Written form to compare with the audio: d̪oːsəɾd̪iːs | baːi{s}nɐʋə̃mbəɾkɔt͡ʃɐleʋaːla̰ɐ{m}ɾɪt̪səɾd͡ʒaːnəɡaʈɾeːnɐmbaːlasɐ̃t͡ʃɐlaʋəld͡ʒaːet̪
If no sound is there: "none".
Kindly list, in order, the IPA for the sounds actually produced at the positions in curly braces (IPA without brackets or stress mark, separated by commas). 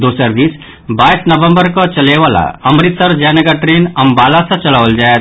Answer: s, m